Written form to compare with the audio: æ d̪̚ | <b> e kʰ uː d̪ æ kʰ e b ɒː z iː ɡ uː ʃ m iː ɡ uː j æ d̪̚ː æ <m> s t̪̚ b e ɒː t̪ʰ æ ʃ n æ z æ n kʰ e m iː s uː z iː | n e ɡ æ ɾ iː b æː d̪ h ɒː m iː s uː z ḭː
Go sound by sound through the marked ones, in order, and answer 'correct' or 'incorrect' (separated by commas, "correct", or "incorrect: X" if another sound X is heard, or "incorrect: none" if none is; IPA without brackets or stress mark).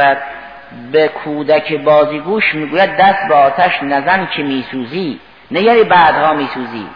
correct, incorrect: none